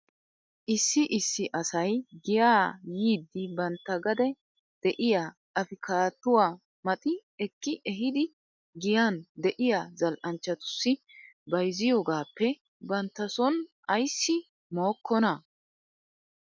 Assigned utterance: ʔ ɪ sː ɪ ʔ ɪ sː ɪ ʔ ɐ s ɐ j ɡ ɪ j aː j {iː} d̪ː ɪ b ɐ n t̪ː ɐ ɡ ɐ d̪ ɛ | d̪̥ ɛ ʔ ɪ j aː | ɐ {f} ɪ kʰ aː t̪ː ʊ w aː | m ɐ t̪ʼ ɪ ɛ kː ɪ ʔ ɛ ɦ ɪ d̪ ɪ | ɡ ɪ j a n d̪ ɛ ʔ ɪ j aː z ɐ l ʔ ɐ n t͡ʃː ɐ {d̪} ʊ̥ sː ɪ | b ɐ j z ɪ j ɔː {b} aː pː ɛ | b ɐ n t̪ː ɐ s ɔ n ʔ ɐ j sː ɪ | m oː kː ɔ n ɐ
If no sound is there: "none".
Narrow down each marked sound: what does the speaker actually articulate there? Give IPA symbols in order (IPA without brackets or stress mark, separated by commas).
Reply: iː, f, t̪, ɡ